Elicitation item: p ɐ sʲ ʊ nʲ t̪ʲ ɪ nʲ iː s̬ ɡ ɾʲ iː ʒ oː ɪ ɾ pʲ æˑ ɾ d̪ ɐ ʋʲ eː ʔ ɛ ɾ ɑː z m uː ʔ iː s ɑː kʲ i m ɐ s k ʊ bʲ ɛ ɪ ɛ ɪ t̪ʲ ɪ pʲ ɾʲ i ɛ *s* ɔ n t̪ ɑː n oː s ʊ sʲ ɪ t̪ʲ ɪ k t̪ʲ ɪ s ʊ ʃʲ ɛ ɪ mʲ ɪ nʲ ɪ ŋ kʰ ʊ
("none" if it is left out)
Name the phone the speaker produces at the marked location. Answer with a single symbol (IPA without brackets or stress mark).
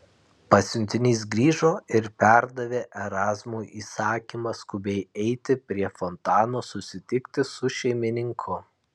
f